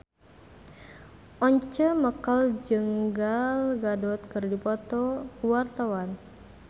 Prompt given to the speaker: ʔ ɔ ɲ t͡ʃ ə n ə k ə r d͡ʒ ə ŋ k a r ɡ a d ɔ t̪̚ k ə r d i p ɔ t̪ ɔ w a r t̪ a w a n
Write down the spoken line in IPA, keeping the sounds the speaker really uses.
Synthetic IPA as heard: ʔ ɔ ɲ t͡ʃ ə m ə k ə l d͡ʒ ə ŋ ɡ a l ɡ a d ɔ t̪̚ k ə r d i p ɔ t̪ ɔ w a r t̪ a w a n